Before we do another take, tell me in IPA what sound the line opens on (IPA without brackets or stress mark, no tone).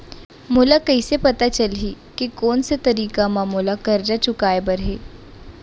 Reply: m